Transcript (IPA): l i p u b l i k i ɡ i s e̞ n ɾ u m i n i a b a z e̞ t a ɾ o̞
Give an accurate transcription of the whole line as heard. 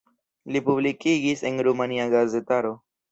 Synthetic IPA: l i p u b l i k i ɡ i s e̞ n ɾ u m a n i a ɡ a z e̞ t a ɾ o̞